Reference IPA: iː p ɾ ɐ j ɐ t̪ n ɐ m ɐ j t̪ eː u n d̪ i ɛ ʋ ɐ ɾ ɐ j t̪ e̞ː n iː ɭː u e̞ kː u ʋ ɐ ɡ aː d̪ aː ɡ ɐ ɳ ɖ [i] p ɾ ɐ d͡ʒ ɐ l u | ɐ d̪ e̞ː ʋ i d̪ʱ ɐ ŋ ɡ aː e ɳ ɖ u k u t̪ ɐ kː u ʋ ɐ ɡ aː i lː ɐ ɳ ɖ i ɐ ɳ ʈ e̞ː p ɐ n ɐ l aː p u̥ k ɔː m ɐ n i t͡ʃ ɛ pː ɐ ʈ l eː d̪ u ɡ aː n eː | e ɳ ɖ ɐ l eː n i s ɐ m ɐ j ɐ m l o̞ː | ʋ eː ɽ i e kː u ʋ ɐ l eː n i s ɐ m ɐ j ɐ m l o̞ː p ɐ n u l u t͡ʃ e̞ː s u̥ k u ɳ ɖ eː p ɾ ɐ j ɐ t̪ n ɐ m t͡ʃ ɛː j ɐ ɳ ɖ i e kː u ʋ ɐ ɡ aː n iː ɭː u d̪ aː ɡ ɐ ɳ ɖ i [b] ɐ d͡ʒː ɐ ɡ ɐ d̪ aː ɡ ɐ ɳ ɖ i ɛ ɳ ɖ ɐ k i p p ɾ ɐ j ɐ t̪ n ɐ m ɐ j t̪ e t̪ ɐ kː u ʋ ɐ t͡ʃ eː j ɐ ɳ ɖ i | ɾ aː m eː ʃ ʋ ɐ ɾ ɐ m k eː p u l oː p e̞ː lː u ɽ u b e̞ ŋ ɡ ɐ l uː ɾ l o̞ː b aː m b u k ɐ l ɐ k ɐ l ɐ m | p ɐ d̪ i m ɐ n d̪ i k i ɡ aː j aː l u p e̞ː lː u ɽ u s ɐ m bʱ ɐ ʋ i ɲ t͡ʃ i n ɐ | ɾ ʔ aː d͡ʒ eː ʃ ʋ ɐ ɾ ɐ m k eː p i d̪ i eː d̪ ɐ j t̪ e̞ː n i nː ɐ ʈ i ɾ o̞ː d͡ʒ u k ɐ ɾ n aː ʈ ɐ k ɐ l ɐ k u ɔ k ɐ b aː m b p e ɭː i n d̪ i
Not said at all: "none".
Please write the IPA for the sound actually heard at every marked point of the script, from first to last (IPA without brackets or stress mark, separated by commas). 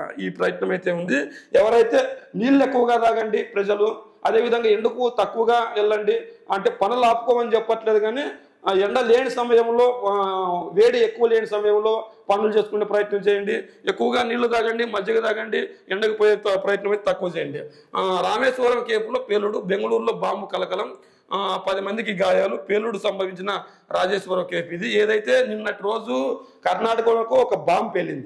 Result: i, m